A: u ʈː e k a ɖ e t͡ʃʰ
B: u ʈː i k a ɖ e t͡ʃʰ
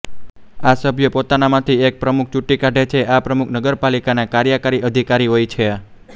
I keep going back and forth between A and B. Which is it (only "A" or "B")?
B